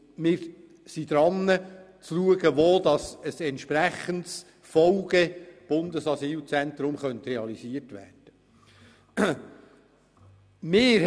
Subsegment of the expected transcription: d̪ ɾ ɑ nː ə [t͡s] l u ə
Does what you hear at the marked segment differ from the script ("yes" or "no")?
no